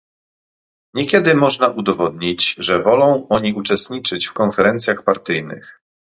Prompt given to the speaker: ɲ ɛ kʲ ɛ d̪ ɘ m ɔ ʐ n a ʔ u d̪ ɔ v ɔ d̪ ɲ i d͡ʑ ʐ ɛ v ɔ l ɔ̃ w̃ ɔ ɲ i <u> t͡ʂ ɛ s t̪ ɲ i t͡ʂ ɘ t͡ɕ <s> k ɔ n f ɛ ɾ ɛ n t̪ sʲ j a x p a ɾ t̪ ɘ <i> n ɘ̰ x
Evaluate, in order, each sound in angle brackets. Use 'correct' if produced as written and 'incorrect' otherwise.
correct, incorrect, incorrect

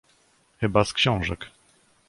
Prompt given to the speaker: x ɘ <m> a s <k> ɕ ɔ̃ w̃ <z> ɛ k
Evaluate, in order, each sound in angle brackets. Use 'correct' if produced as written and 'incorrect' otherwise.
incorrect, correct, incorrect

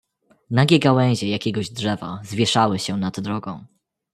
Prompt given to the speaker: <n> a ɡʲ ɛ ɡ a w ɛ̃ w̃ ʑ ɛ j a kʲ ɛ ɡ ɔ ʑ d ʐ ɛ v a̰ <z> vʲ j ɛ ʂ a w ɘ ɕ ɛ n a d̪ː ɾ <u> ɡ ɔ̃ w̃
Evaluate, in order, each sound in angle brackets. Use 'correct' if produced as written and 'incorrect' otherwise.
correct, correct, incorrect

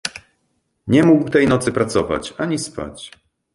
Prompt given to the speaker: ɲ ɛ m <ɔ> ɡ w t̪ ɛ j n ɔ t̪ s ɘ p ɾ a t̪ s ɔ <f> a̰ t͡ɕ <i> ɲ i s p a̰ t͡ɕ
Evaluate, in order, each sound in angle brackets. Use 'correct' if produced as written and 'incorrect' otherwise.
incorrect, incorrect, incorrect

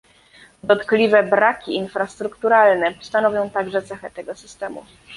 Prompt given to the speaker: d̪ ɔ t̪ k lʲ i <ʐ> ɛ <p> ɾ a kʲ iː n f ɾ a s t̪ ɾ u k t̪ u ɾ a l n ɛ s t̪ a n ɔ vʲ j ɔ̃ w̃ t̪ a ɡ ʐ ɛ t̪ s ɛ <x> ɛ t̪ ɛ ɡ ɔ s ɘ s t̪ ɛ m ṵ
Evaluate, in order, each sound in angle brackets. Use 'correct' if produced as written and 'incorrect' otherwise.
incorrect, incorrect, correct

